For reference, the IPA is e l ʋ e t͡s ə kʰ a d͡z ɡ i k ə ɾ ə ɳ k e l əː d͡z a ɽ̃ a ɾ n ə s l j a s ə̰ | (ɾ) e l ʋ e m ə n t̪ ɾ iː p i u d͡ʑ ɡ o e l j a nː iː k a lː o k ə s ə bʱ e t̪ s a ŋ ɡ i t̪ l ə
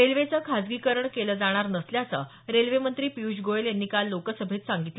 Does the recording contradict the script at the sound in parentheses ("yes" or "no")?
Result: no